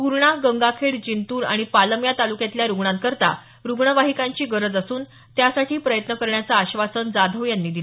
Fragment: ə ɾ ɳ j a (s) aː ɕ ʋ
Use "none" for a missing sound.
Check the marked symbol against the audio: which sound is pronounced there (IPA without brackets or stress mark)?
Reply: t͡s